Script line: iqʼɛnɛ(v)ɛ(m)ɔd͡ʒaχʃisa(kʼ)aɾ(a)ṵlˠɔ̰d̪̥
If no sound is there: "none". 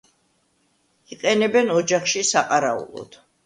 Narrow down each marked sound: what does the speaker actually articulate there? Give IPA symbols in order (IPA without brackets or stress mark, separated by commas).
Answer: b, n, qʼ, a